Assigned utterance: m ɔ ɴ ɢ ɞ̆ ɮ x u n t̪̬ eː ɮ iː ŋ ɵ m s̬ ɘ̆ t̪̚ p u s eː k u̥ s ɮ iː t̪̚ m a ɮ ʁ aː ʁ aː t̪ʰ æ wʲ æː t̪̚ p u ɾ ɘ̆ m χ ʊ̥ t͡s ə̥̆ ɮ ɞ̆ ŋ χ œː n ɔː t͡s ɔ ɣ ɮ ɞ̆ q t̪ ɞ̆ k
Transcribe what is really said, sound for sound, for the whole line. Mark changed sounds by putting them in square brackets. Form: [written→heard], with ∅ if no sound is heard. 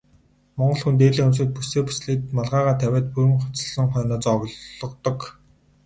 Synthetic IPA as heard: m ɔ ɴ ɢ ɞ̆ ɮ x u n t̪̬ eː ɮ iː ŋ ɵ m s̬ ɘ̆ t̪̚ p u s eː [k→p] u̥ s ɮ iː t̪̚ m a ɮ ʁ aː ʁ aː t̪ʰ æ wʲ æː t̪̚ p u ɾ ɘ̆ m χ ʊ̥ t͡s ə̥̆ ɮ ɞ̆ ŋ χ œː n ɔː t͡s ɔ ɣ ɮ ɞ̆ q t̪ ɞ̆ k